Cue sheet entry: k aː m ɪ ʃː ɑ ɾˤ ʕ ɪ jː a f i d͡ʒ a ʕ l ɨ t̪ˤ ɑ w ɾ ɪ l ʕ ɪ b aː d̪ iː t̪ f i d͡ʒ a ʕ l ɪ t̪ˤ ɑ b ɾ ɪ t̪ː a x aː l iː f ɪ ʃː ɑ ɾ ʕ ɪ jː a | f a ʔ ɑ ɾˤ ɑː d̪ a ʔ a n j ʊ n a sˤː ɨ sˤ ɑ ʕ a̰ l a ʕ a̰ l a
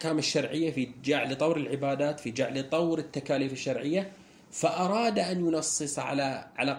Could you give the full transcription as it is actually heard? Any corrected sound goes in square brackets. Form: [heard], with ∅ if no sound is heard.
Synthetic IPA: k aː m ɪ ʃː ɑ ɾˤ ʕ ɪ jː a f i d͡ʒ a ʕ l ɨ t̪ˤ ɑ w ɾ ɪ l ʕ ɪ b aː d̪ [aː] t̪ f i d͡ʒ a ʕ l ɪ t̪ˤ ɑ [w] ɾ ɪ t̪ː a [k] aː l iː f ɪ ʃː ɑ ɾ ʕ ɪ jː a | f a ʔ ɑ ɾˤ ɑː d̪ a ʔ a n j ʊ n [ɑ] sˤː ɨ sˤ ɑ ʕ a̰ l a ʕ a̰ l a